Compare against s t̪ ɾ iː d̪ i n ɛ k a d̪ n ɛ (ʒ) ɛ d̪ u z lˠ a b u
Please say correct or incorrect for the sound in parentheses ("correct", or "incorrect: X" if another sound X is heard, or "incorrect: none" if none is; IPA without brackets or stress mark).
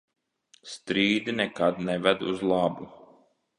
incorrect: v